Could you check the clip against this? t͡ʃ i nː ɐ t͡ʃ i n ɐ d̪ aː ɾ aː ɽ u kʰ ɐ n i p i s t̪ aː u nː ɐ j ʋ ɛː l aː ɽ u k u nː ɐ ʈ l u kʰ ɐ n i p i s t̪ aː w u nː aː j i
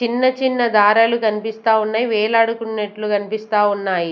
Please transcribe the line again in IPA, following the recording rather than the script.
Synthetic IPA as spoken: t͡ʃ i nː ɐ t͡ʃ i nː ɐ d̪ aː ɾ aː l u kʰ ɐ n i p i s t̪ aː u nː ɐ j ʋ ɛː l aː ɽ u k u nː ɐ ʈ l u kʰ ɐ n i p i s t̪ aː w u nː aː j i